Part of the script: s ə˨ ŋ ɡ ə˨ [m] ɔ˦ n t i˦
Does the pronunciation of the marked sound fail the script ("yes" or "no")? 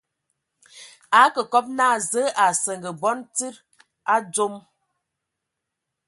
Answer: yes